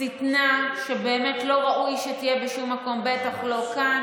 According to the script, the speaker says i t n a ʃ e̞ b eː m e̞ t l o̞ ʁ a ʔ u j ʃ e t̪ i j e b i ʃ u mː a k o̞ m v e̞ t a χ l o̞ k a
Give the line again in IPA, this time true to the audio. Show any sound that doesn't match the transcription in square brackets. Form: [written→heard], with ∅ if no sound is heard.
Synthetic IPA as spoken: i t n a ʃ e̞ b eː m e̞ t l o̞ ʁ a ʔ u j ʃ e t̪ i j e b [i→e] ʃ u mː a k o̞ m [v→b] e̞ t a χ l o̞ k a